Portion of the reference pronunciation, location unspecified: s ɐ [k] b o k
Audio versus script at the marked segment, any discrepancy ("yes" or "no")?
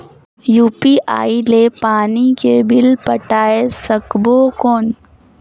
no